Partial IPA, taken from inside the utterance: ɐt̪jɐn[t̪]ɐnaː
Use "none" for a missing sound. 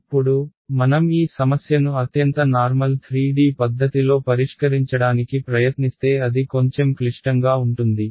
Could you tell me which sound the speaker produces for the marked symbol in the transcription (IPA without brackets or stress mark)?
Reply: t̪